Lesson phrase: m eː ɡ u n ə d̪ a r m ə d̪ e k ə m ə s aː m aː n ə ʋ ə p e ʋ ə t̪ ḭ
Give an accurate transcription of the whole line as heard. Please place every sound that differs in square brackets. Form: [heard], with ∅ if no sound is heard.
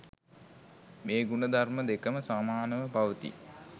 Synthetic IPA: m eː ɡ u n ə d̪ a r m ə d̪ e k ə m ə s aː m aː n ə ʋ ə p [a] ʋ ə t̪ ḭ